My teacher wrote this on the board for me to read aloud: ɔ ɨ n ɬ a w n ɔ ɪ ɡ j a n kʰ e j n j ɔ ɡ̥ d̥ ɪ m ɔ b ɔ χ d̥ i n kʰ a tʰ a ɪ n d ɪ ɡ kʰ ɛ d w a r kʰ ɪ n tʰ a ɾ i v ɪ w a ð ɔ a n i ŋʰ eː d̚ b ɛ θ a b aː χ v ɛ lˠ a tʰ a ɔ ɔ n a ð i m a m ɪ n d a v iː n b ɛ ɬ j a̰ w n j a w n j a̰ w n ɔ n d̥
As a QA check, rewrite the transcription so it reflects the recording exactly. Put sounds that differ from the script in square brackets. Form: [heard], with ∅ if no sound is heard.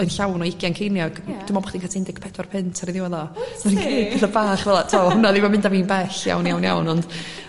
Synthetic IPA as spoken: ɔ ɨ n ɬ a w n ɔ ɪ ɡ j a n kʰ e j n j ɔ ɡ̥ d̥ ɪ m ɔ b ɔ χ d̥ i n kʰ a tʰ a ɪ n d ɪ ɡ [pʰ] ɛ d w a r [pʰ] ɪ n tʰ a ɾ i [ð] ɪ w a ð ɔ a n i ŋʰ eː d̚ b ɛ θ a b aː χ v ɛ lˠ a tʰ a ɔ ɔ n a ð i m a m ɪ n d a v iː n b ɛ ɬ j a̰ w n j a w n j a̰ w n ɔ n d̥